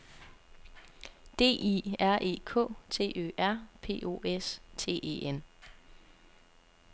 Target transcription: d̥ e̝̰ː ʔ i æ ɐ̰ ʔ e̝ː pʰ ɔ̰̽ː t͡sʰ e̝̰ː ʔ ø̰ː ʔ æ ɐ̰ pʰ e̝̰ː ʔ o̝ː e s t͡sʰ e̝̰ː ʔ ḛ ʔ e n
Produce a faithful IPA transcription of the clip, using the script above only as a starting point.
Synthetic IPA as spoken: d̥ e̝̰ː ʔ i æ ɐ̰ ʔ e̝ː kʰ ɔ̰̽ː t͡sʰ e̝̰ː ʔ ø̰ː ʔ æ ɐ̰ pʰ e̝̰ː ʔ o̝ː e s t͡sʰ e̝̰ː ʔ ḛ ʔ e n